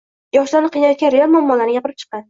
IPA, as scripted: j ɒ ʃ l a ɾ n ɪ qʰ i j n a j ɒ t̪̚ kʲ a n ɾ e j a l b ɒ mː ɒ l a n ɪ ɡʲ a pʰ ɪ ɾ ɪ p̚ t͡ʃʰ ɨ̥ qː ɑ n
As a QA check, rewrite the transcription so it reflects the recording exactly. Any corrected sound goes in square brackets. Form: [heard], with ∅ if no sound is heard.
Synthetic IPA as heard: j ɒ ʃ l a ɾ n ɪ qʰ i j n a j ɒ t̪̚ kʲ a n ɾ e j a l [m] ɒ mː ɒ l a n ɪ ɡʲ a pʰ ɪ ɾ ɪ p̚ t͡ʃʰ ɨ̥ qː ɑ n